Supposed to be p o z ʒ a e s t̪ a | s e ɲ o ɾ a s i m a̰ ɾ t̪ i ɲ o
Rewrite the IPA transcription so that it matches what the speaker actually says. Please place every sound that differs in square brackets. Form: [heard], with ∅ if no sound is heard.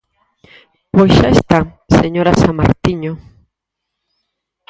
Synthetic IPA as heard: p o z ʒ a e s t̪ a | s e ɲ o ɾ a s [a] m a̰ ɾ t̪ i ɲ o